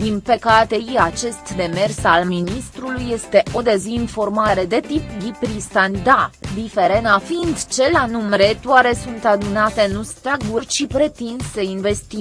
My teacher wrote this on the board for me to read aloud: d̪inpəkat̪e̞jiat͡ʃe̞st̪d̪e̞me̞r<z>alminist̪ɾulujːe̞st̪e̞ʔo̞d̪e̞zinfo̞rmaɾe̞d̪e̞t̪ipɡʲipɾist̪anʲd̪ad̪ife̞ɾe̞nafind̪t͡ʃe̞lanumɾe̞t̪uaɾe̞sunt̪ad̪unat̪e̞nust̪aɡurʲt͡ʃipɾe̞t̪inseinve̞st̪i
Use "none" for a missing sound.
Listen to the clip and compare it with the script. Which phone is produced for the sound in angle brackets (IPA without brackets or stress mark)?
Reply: s